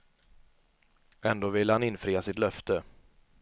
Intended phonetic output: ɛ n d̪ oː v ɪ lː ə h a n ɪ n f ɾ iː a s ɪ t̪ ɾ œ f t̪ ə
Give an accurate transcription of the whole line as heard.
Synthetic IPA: ɛ n d̪ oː v ɪ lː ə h a n ɪ n f ɾ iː a s ɪ t̪ l œ f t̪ ə